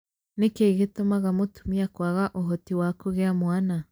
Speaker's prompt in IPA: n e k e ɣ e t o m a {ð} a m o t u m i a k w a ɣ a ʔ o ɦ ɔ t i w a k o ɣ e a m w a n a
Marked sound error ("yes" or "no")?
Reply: yes